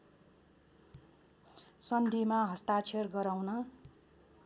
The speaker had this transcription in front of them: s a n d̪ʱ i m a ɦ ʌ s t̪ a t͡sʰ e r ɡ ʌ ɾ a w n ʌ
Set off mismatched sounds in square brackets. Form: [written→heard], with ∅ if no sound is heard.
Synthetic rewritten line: s [a→ʌ] n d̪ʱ i m a ɦ ʌ s t̪ a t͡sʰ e r ɡ ʌ ɾ a w n ʌ